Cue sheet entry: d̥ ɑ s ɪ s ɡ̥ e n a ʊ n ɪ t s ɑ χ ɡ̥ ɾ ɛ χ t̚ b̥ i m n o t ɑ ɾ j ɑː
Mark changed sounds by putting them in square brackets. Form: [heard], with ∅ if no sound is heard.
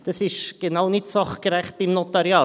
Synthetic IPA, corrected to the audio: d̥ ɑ s ɪ [ʃ] ɡ̥ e n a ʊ n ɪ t s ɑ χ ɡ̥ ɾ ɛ χ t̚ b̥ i m n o t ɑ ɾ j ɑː